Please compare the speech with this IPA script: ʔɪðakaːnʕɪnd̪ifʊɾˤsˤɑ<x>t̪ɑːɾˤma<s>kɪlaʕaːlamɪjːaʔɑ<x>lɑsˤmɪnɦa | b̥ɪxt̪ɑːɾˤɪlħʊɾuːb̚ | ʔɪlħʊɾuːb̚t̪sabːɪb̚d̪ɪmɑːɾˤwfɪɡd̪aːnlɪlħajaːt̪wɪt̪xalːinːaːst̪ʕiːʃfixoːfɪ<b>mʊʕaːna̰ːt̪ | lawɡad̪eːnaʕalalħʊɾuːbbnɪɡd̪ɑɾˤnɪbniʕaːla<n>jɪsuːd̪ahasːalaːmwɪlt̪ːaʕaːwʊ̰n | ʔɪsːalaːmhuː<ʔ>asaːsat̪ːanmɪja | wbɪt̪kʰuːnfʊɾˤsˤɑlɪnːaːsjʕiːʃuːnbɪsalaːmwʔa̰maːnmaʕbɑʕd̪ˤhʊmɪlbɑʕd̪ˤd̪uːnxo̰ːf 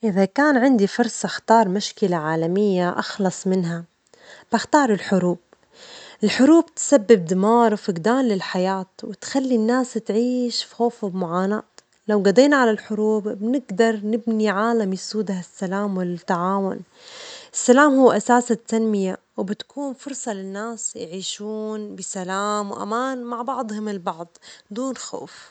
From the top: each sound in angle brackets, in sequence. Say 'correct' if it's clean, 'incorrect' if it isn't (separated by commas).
correct, incorrect, correct, correct, incorrect, correct